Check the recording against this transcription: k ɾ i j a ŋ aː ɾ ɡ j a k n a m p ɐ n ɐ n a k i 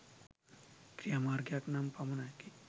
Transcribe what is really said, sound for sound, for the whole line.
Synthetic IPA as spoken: k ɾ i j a m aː ɾ ɡ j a k n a m p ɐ m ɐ n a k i